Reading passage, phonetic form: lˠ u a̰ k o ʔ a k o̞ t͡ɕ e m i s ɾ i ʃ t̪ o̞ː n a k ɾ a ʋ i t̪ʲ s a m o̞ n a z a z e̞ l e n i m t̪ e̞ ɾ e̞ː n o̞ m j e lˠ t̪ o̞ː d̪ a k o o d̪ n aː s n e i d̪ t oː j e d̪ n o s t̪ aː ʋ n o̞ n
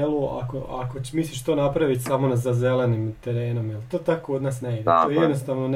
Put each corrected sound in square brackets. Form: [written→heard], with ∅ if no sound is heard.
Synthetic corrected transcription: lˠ u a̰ k o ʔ a k o̞ t͡ɕ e m i s [ɾ→l] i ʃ t̪ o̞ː n a [k→p] ɾ a ʋ i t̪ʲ s a m o̞ n a z a z e̞ l e n i m t̪ e̞ ɾ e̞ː n o̞ m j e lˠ t̪ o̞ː [d̪→t̪] a k o o d̪ n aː s n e i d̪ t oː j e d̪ n o s t̪ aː ʋ n o̞ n